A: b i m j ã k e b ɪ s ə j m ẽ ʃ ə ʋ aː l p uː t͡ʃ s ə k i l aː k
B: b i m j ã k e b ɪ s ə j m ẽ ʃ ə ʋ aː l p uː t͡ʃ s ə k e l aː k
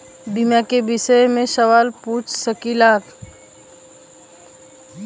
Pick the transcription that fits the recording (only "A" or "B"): A